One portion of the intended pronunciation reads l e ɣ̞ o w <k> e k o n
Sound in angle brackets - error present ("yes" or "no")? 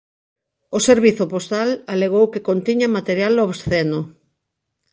no